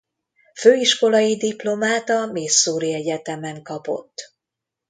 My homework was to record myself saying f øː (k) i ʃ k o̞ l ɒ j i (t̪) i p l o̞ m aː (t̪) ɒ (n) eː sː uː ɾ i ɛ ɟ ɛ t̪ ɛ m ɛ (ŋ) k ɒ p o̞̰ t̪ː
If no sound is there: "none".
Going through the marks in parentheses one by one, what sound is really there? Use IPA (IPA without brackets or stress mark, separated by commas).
none, d̪, t̪, m, ŋ